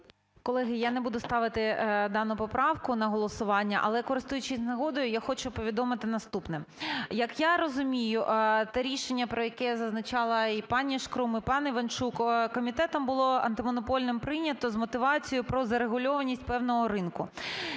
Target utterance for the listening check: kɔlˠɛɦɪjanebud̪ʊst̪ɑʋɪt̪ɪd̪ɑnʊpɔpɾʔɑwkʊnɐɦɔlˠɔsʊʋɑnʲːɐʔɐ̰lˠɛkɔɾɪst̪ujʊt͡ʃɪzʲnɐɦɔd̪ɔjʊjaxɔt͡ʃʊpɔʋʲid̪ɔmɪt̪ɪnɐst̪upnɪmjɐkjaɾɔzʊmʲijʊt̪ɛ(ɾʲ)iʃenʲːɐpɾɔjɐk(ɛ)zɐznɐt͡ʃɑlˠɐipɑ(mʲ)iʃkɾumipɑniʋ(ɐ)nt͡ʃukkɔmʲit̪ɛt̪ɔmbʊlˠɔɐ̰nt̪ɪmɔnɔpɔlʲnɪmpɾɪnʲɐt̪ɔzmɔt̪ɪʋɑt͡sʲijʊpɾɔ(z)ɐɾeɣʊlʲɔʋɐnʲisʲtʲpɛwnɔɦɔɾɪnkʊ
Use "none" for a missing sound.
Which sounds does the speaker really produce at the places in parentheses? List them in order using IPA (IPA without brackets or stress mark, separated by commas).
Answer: ɾʲ, ɛ, nʲ, ɐ, z